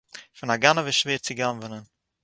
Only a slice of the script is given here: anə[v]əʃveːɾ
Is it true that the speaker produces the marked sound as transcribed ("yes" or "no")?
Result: yes